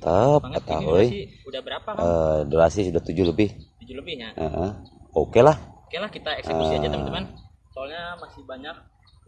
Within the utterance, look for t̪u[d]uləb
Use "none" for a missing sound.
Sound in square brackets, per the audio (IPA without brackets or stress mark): d͡ʒ